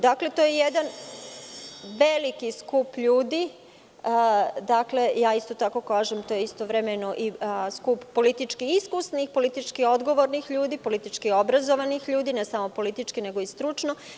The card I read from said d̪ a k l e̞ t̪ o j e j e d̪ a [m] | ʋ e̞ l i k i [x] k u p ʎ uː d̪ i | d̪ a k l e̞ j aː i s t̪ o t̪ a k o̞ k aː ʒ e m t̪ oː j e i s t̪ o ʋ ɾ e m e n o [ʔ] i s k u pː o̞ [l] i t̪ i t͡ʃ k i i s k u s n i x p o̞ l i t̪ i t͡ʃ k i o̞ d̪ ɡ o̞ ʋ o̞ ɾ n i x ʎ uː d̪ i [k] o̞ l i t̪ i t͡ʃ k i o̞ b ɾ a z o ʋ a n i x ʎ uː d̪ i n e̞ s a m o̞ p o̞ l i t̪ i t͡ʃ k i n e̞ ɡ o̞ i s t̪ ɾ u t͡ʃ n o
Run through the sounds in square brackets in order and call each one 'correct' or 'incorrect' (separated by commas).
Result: incorrect, incorrect, correct, correct, incorrect